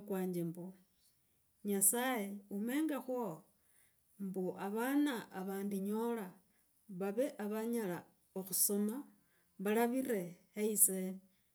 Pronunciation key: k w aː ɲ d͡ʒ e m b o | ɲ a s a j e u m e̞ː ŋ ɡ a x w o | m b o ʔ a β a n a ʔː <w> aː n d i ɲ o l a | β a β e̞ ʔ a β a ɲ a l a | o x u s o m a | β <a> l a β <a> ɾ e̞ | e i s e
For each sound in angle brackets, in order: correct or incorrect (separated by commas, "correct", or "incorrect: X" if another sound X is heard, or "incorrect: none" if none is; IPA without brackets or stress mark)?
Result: incorrect: β, correct, incorrect: i